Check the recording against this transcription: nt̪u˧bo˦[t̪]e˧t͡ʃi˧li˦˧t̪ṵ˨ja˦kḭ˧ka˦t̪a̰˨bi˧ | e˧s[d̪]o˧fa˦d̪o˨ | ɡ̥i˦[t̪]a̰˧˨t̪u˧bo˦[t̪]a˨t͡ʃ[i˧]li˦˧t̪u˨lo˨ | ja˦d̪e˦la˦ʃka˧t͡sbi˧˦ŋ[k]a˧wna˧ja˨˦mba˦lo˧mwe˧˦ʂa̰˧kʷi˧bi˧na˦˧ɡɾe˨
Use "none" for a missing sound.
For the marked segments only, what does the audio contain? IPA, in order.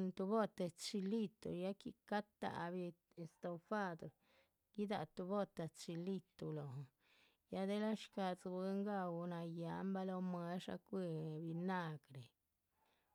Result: t̪, t̪, d̪, t̪, i˧, ɡ

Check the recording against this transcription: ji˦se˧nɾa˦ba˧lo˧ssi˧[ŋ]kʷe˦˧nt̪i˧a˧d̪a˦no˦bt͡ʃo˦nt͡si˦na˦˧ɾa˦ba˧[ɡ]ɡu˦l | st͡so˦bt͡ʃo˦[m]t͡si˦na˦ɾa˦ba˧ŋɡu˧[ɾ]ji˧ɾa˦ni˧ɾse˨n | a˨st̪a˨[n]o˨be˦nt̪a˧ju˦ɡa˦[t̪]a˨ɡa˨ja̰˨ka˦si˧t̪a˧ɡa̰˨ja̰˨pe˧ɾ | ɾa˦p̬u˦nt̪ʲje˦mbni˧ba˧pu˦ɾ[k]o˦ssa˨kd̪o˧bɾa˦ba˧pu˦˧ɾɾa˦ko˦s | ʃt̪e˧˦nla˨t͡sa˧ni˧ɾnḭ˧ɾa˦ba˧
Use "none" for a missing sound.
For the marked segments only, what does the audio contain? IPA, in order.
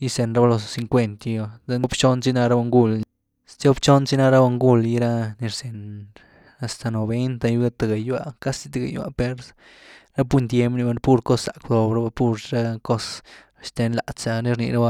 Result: ŋ, ŋ, n, l, n, t̪, k

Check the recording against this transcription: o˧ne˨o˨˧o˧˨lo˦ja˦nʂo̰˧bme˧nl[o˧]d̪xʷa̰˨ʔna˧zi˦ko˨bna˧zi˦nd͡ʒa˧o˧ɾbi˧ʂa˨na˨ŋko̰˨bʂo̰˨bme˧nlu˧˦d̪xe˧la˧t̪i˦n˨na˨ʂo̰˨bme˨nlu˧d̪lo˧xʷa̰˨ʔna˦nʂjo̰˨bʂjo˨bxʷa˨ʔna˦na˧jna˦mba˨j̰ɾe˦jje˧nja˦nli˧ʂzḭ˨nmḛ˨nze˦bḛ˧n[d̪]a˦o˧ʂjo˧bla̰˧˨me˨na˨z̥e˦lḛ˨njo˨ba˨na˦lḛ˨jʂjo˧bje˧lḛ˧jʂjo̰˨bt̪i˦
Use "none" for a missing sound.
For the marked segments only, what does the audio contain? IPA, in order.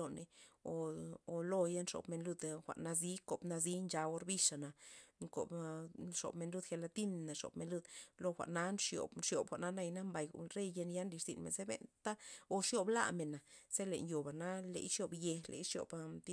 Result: u˧, t̪

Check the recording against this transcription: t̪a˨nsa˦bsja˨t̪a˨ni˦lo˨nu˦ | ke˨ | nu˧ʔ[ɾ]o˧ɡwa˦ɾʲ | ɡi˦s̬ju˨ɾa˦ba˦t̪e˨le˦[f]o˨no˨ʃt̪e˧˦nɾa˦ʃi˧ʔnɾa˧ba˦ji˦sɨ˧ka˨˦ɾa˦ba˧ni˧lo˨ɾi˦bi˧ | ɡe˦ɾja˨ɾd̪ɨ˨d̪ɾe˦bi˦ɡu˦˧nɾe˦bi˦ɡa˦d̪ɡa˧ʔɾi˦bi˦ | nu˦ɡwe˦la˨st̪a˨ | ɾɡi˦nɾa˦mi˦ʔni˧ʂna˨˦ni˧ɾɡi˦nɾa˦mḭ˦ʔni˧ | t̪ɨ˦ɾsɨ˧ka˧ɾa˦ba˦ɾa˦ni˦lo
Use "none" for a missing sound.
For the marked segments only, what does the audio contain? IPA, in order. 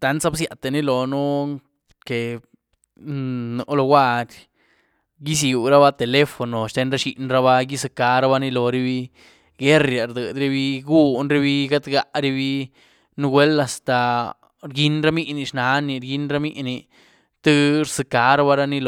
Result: l, f

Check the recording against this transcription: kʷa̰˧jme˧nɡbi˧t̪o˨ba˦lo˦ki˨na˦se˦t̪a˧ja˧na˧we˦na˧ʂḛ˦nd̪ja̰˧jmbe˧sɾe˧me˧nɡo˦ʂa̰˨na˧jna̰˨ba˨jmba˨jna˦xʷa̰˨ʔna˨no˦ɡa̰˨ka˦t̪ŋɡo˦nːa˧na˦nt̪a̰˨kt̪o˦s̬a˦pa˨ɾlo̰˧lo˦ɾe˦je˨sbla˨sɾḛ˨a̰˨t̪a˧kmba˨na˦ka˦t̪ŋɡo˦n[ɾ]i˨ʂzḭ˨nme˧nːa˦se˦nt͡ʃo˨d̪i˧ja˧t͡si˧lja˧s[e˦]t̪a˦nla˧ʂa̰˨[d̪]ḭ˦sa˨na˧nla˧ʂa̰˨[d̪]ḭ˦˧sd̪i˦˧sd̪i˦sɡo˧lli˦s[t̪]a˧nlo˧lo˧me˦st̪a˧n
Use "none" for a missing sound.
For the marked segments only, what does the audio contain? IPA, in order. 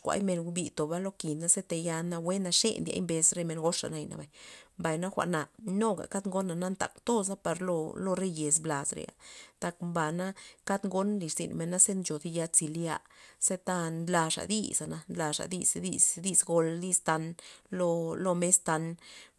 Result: l, e˦, d̪, d̪, t̪

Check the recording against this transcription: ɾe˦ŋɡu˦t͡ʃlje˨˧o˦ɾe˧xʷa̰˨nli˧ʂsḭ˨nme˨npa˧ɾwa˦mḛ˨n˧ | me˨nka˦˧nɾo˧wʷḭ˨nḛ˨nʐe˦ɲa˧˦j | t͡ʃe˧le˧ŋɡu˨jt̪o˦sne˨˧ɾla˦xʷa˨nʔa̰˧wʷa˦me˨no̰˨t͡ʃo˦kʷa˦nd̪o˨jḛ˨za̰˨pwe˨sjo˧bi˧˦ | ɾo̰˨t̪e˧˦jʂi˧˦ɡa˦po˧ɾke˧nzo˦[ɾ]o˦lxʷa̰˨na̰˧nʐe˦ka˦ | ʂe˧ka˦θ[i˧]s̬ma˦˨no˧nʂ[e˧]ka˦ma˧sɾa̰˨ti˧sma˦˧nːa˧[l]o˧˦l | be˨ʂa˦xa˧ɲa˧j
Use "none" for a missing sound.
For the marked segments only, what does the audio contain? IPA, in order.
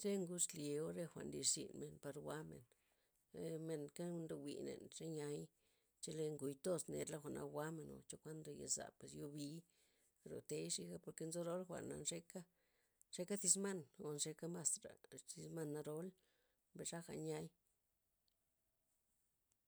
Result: ɾ, i˧, e˧, ɾ

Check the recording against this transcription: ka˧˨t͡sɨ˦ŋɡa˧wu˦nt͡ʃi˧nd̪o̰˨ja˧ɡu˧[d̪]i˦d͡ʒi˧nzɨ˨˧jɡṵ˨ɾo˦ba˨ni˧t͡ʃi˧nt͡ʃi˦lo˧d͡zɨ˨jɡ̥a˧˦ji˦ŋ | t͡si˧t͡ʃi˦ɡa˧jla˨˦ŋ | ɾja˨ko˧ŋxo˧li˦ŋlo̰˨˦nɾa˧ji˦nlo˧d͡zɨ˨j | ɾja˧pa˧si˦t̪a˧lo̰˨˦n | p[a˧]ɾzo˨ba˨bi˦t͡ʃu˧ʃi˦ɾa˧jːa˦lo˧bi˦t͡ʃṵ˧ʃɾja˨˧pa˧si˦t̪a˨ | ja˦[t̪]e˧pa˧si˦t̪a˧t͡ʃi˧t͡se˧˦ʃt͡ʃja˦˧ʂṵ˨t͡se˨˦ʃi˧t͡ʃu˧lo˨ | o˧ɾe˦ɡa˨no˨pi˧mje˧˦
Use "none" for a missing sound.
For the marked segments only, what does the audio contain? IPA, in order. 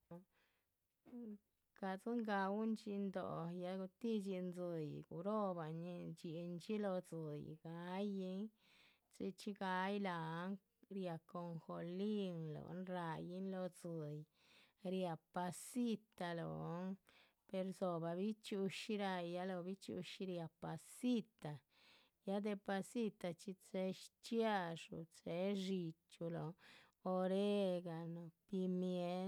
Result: t̪, e˧, d̪

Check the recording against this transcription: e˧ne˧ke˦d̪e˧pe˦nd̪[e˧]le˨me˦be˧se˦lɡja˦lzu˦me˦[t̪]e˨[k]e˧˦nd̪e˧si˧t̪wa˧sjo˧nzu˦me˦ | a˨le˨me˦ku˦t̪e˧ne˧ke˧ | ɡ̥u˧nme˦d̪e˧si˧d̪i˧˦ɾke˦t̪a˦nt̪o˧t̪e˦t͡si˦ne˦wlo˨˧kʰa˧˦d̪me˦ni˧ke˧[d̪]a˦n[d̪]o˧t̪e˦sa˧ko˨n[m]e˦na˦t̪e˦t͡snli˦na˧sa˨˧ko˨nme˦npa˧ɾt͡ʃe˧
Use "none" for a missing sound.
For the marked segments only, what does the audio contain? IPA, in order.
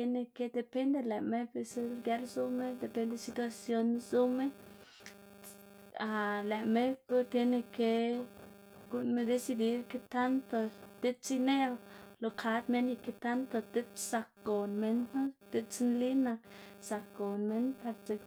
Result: e˧, d̪, p, t̪, t̪, m

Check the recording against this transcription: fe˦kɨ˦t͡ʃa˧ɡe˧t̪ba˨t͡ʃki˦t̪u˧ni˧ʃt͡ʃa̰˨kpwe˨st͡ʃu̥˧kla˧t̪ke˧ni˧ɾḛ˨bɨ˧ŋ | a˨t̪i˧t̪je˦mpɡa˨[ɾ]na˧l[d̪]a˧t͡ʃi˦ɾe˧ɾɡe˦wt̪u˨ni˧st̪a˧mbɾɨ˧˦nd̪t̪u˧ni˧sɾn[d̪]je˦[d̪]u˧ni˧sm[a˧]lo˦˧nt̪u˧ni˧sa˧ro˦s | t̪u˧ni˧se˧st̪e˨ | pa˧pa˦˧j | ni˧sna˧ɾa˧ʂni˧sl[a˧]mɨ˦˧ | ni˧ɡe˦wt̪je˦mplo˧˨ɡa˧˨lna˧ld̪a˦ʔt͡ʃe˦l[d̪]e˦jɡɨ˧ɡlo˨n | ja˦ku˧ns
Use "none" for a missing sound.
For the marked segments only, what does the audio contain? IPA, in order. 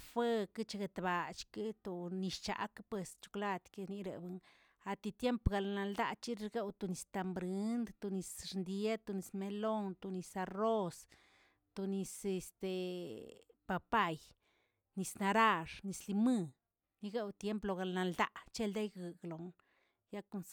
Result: l, d̪, d̪, t̪, e˧, i˧, d̪

